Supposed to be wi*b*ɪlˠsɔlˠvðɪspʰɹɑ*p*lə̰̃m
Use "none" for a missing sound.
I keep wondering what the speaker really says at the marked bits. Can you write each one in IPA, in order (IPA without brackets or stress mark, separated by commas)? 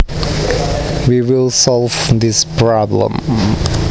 w, b